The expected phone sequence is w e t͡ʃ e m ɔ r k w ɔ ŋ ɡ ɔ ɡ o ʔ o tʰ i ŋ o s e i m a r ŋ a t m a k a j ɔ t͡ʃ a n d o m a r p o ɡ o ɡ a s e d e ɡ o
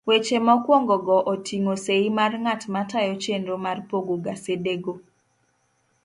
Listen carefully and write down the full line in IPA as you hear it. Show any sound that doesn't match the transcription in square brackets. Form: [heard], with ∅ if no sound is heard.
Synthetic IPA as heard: w e t͡ʃ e m ɔ [∅] k w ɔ ŋ ɡ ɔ ɡ [ɔ] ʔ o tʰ i ŋ o s e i m a r ŋ a t m a [t] a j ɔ t͡ʃ [e] n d o m a r p o ɡ o ɡ a s e d e ɡ o